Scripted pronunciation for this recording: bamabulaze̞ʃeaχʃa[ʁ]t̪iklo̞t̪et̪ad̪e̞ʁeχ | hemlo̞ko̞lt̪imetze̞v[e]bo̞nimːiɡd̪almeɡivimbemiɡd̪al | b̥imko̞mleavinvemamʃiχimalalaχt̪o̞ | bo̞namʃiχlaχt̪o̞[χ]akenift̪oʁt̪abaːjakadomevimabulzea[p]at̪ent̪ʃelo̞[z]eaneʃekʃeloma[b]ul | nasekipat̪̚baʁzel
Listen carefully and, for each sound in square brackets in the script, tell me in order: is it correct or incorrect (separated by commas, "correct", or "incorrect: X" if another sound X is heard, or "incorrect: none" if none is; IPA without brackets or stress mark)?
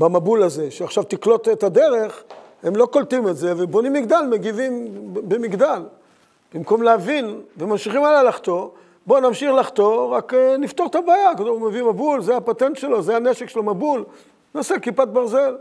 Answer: incorrect: v, correct, incorrect: ʁ, correct, correct, correct